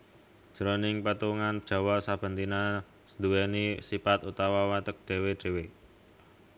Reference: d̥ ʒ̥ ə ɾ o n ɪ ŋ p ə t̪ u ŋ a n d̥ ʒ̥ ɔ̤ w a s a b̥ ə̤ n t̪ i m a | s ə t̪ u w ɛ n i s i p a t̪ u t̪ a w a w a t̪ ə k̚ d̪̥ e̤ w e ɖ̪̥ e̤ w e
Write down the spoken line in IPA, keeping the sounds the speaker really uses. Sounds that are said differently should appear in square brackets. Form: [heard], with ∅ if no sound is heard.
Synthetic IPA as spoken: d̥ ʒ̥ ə ɾ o n ɪ ŋ p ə t̪ u ŋ a n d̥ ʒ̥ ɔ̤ w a s a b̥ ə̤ n t̪ i [n] a | s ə [d̪] u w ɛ n i s i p a t̪ u t̪ a w a w a t̪ ə k̚ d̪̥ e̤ w e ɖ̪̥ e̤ w e